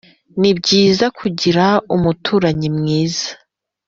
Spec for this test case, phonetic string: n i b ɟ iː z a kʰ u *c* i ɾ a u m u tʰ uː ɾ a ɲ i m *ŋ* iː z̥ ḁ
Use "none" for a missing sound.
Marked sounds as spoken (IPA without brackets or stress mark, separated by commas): ɟ, ŋ